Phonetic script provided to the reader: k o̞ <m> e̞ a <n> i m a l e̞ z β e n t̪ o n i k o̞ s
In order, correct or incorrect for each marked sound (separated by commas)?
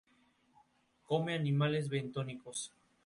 correct, correct